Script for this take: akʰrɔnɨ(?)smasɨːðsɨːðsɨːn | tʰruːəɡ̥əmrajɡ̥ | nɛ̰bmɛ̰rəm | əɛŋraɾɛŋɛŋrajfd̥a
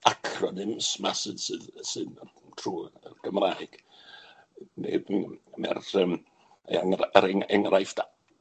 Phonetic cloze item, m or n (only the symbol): m